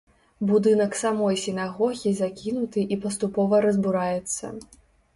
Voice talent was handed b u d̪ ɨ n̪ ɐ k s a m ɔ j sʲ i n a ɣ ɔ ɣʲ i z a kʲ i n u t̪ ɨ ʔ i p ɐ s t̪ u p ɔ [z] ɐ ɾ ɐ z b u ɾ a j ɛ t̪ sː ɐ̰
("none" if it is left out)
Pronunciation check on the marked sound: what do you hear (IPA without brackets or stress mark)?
v